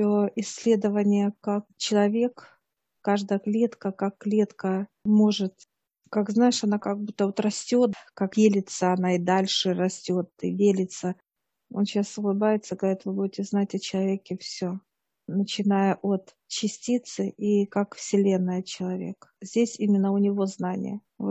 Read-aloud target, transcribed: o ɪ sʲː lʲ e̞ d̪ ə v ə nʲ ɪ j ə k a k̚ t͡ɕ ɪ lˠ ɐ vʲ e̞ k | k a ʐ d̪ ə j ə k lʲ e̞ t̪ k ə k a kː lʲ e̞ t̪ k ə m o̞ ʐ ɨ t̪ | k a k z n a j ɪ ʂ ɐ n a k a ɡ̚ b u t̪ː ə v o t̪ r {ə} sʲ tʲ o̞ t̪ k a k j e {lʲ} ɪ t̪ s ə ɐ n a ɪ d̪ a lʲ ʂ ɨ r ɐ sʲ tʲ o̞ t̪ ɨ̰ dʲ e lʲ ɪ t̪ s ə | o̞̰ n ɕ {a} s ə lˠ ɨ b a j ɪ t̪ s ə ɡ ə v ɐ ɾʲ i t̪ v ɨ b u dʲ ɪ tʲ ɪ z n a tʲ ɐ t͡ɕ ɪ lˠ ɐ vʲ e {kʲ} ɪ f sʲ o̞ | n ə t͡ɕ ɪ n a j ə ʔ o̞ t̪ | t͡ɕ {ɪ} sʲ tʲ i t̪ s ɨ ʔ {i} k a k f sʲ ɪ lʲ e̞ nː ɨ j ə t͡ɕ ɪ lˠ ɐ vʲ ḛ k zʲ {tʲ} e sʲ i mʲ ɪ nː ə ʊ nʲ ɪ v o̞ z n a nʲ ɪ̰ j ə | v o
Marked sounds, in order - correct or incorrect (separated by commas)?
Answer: incorrect, correct, correct, correct, correct, correct, incorrect